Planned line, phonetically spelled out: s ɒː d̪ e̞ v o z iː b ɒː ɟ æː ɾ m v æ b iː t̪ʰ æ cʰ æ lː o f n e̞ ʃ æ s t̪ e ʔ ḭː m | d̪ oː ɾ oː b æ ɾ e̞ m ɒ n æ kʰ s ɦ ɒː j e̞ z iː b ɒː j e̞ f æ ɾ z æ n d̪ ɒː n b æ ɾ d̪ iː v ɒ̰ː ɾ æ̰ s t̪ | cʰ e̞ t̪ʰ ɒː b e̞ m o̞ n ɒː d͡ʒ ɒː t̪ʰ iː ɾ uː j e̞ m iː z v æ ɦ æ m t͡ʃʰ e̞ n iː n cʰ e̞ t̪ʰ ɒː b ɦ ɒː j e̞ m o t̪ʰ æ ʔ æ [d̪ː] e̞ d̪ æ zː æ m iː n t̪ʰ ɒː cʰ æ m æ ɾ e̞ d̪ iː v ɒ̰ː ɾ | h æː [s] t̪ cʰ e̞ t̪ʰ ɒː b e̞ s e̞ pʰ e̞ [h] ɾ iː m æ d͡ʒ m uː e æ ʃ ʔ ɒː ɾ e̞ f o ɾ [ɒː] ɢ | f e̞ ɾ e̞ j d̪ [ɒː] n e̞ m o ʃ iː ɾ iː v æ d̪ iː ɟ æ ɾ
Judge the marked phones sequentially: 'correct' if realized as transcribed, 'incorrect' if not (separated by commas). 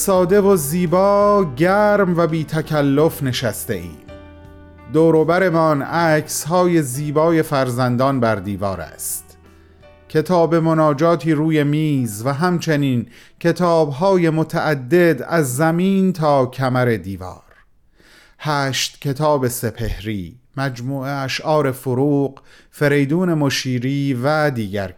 correct, incorrect, correct, incorrect, incorrect